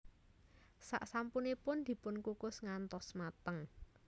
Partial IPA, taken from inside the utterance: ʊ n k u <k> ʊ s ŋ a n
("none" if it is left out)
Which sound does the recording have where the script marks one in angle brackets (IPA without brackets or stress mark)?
k